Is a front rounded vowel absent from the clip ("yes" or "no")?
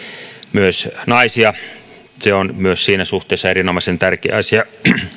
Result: no